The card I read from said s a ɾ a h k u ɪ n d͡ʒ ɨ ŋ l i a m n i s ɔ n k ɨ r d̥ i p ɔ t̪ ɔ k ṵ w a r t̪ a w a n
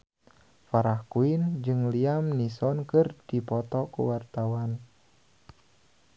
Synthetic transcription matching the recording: f a ɾ a h k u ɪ n d͡ʒ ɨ ŋ l i a m n i s ɔ n k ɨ r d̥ i p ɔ t̪ ɔ k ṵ w a r t̪ a w a n

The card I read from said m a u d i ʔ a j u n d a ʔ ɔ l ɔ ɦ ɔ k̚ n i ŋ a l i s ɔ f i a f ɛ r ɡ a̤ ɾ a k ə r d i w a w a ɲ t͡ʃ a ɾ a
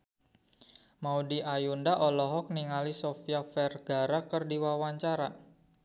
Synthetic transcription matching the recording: m a u d i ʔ a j u n d a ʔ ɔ l ɔ ɦ ɔ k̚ n i ŋ a l i s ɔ f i a f ɛ r ɡ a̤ ɾ a k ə r d i w a w a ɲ t͡ʃ a ɾ a

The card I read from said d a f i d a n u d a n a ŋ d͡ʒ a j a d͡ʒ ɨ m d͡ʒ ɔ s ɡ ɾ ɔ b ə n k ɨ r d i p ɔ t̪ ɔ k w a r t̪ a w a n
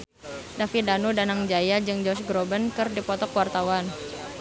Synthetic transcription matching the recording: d a f i d a n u d a n a ŋ d͡ʒ a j a d͡ʒ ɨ ŋ d͡ʒ ɔ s ɡ ɾ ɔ b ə n k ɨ r d i p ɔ t̪ ɔ k w a r t̪ a w a n

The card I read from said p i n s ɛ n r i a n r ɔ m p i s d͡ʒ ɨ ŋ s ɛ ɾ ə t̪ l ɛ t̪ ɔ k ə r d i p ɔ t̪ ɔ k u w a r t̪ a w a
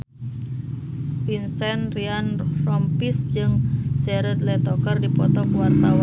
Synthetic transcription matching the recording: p i n s ɛ n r i a n r ɔ m p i s d͡ʒ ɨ ŋ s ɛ ɾ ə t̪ l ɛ t̪ ɔ k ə r d i p ɔ t̪ ɔ k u w a r t̪ a w a

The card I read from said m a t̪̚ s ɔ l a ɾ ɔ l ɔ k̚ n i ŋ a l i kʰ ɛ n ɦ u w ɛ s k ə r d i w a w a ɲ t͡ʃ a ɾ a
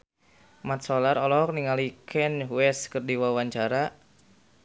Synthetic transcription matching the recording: m a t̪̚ s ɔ l a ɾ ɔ l ɔ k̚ n i ŋ a l i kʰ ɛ n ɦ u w ɛ s k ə r d i w a w a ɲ t͡ʃ a ɾ a

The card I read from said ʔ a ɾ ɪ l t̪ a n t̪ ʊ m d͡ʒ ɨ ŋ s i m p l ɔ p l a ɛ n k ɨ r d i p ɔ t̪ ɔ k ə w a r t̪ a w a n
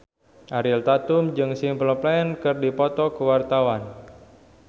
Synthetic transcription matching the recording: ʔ a ɾ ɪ l t̪ a t̪ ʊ m d͡ʒ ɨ ŋ s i m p l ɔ p l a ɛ n k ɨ r d i p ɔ t̪ ɔ k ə w a r t̪ a w a n

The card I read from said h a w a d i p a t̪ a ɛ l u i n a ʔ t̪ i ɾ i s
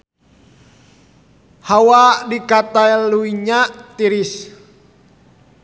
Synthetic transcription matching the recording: h a w a d i k a t̪ a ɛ l u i ɲ a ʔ t̪ i ɾ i s

